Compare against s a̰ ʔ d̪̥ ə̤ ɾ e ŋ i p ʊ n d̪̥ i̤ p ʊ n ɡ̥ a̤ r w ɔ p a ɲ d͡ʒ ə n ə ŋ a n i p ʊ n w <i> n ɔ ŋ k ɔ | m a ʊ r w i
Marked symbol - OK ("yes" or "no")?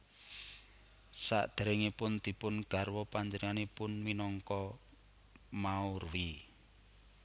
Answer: yes